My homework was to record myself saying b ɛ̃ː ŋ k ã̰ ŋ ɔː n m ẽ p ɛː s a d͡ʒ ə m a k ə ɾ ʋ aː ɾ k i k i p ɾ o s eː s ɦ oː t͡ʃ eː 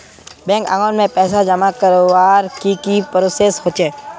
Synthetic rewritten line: b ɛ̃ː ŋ k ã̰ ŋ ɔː n m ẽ p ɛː s a d͡ʒ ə m a k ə ɾ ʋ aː ɾ k i k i p ɾ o s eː s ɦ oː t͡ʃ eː